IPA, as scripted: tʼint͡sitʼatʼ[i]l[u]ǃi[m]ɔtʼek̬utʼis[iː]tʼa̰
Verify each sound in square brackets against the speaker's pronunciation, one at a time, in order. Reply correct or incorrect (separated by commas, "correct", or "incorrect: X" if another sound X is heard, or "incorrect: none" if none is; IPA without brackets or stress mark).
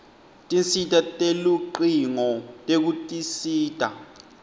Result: incorrect: e, correct, incorrect: ŋ, correct